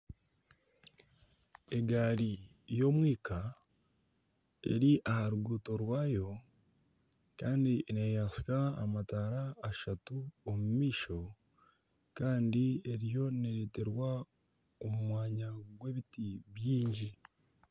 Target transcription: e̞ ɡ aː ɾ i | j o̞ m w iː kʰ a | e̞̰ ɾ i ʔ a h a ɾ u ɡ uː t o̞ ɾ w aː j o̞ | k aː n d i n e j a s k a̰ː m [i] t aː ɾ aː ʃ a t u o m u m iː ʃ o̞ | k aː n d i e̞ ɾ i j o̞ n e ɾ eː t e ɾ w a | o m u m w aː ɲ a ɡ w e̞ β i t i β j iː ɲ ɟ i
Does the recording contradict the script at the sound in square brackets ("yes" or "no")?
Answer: yes